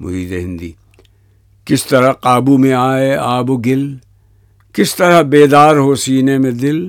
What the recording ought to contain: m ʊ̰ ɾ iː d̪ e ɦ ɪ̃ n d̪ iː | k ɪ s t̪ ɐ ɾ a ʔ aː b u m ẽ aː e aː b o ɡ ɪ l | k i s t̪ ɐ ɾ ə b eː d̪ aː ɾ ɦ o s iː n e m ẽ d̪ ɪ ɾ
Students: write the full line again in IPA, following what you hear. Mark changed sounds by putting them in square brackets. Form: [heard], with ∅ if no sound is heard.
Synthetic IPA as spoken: m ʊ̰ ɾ iː d̪ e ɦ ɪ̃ n d̪ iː | k ɪ s t̪ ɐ ɾ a [q] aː b u m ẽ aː e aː b o ɡ ɪ l | k [ɪ] s t̪ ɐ ɾ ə b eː d̪ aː ɾ ɦ o s iː n e m ẽ d̪ ɪ [l]